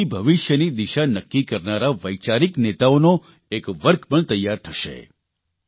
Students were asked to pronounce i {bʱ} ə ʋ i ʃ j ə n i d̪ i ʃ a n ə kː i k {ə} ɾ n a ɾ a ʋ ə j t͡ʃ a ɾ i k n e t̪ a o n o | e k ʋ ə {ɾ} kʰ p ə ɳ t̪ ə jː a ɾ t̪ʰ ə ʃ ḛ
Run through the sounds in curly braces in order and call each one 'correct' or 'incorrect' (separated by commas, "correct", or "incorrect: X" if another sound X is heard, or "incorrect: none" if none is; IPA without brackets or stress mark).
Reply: correct, correct, correct